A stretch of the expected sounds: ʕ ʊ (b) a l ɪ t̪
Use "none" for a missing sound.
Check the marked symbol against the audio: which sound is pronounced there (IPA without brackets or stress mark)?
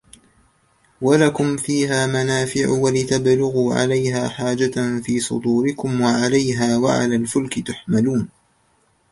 w